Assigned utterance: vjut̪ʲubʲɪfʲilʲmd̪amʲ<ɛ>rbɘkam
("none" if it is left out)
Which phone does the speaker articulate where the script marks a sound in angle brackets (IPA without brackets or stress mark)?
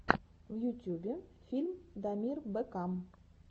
i